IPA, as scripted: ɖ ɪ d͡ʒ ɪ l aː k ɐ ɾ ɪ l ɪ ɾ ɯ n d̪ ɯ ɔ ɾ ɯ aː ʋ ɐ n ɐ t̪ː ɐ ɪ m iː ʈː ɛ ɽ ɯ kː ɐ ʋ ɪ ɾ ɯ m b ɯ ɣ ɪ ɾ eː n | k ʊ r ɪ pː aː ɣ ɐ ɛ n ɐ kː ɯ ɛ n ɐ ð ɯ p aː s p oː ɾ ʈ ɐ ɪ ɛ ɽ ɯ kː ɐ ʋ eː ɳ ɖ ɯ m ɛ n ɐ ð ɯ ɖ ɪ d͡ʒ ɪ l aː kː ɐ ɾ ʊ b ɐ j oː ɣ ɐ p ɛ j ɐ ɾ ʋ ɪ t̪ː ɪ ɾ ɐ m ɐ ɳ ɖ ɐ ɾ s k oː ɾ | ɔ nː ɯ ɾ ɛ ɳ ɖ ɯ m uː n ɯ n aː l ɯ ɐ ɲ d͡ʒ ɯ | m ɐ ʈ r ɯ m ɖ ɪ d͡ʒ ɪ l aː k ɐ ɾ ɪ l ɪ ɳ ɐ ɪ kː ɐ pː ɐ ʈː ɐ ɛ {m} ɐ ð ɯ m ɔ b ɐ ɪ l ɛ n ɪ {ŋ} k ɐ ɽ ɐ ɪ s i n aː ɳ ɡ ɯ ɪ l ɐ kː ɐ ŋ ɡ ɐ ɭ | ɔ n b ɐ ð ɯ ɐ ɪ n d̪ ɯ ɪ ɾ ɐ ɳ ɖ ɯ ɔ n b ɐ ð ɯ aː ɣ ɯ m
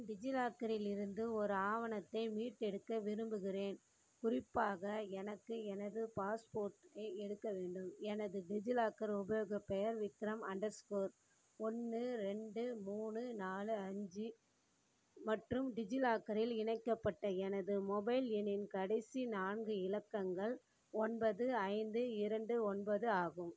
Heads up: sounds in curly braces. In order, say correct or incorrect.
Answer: incorrect, incorrect

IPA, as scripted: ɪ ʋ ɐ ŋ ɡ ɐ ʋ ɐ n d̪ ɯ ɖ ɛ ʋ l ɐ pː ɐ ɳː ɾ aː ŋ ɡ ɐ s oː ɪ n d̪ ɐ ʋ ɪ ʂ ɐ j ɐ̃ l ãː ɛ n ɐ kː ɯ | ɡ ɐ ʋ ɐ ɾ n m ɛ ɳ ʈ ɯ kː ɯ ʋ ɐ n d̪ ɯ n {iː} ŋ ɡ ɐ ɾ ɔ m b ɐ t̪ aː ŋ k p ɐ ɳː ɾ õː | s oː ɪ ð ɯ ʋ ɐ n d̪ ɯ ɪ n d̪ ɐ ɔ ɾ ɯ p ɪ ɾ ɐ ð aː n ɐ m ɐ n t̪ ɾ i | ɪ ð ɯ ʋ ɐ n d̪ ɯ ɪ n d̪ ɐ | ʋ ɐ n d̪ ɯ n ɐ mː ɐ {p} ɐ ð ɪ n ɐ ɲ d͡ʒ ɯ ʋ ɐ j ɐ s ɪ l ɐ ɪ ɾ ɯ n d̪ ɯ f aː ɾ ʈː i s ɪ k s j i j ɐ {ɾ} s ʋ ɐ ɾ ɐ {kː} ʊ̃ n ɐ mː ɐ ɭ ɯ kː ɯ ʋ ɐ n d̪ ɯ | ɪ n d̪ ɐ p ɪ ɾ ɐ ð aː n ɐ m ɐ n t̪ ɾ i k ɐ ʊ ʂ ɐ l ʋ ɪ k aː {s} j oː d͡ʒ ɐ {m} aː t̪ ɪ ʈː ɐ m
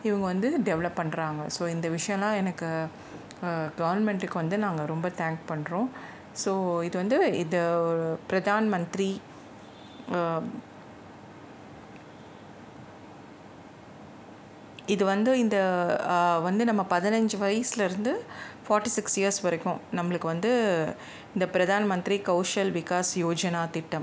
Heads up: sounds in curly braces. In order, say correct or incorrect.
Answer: incorrect, correct, correct, correct, correct, incorrect

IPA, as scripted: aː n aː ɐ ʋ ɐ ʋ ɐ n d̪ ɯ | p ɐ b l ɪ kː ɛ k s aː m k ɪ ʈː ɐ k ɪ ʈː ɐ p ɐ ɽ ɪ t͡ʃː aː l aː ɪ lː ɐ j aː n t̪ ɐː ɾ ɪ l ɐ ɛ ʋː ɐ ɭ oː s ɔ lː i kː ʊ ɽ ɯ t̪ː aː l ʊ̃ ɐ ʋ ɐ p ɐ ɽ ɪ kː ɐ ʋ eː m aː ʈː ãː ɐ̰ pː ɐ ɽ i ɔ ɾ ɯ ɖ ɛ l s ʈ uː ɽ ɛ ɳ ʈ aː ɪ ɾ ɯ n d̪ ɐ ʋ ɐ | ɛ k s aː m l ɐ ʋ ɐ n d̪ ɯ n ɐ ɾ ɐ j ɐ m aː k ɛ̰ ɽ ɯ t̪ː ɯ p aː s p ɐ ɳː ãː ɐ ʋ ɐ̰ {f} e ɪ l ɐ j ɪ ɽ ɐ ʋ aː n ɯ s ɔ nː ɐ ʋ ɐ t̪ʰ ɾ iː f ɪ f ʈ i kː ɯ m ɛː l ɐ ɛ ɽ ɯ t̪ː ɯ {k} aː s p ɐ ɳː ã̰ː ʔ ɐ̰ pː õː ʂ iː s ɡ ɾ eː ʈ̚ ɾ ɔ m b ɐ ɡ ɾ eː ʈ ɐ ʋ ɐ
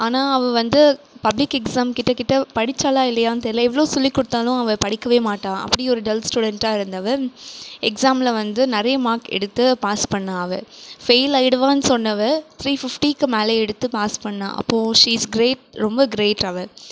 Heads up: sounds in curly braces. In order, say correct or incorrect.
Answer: correct, incorrect

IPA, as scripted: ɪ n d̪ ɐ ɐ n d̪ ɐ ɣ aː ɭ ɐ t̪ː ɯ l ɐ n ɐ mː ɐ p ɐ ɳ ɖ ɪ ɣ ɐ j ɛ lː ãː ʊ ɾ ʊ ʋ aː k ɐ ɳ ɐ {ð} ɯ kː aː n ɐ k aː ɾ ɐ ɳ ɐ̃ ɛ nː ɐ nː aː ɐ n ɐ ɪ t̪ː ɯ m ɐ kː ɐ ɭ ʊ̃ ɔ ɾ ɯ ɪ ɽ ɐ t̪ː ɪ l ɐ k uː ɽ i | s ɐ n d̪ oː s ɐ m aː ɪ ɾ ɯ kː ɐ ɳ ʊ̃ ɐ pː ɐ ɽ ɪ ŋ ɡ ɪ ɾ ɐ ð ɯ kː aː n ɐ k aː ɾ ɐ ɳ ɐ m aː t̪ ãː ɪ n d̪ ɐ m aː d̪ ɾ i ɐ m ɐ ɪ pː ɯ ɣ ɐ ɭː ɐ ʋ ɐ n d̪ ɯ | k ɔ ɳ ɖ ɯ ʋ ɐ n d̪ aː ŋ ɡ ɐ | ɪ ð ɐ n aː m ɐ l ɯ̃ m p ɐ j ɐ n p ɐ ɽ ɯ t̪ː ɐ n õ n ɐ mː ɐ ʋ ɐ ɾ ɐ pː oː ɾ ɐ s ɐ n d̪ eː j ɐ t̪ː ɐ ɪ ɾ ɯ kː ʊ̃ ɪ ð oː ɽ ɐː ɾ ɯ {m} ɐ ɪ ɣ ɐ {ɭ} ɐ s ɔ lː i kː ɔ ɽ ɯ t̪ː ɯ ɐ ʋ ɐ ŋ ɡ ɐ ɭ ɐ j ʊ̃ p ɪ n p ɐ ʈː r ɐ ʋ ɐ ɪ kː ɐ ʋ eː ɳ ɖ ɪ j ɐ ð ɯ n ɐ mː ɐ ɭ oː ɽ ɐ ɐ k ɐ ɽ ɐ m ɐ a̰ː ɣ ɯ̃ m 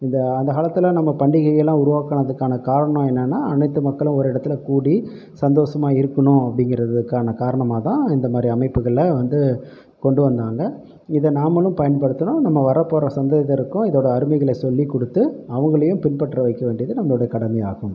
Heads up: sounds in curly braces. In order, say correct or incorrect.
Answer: correct, correct, correct

